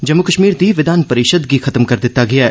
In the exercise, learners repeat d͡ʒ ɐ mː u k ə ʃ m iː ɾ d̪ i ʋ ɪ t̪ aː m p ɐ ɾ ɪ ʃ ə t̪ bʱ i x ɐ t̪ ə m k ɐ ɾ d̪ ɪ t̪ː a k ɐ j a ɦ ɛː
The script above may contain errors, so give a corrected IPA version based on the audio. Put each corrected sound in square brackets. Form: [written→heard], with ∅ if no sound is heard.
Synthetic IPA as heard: d͡ʒ ɐ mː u k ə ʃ m iː ɾ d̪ i ʋ ɪ [t̪→d̪] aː [m→n] p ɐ ɾ ɪ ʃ ə [t̪→d̪] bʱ i x ɐ t̪ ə m k ɐ ɾ d̪ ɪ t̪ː a [k→ɡ] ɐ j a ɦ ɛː